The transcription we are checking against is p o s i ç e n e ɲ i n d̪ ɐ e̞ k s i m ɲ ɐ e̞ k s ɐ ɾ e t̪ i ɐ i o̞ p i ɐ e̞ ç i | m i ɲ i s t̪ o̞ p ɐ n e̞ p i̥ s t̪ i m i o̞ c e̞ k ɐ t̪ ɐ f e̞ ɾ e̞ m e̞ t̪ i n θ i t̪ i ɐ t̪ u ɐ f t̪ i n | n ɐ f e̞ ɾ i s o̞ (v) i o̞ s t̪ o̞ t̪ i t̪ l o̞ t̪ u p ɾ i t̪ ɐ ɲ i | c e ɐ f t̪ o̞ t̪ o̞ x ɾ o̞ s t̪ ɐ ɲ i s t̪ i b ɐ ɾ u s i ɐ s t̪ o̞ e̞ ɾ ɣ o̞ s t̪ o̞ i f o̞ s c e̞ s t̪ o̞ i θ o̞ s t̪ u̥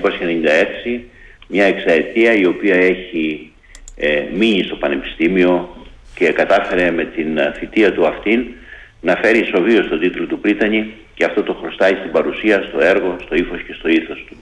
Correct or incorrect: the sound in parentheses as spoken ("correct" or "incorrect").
correct